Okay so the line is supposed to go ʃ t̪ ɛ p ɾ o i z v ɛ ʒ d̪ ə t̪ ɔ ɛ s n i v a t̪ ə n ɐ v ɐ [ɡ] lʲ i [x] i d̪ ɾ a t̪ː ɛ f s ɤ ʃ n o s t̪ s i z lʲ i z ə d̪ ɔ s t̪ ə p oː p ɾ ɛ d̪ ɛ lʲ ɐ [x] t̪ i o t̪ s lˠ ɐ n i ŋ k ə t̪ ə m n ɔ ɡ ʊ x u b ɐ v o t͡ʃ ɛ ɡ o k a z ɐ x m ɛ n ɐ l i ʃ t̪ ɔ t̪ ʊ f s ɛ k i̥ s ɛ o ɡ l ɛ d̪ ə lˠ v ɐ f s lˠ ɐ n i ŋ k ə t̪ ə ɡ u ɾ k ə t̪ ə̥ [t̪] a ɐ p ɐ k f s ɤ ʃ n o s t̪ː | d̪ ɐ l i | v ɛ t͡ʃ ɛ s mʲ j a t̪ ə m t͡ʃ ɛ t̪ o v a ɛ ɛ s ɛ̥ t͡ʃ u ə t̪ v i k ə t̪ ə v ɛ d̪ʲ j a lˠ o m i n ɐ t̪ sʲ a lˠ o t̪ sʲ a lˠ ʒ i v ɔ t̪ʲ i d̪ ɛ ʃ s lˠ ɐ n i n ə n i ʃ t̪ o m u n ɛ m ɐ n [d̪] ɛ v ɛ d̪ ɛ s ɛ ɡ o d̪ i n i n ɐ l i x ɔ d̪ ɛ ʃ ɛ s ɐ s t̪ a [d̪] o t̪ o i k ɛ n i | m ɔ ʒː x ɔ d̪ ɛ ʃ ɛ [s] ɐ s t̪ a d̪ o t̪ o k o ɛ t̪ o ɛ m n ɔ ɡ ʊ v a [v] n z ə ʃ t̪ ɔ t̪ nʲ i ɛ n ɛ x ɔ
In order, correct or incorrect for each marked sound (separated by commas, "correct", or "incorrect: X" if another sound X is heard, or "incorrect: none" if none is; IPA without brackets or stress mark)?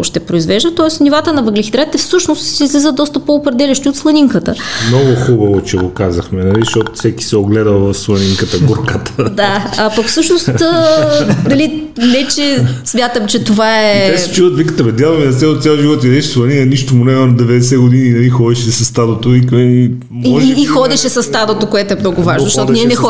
correct, correct, incorrect: ʃ, incorrect: d̪, correct, correct, correct, incorrect: ʒ